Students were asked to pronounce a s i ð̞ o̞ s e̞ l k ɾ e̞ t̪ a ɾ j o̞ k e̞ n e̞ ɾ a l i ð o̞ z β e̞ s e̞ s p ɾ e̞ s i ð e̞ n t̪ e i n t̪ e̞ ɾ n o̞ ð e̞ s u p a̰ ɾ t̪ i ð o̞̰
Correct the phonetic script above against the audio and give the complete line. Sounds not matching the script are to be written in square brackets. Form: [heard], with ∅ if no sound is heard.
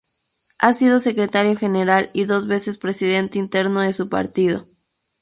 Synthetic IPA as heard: a s i ð̞ o̞ s e̞ [∅] k ɾ e̞ t̪ a ɾ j o̞ [x] e̞ n e̞ ɾ a l i ð o̞ z β e̞ s e̞ s p ɾ e̞ s i ð e̞ n t̪ e i n t̪ e̞ ɾ n o̞ ð e̞ s u p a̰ ɾ t̪ i ð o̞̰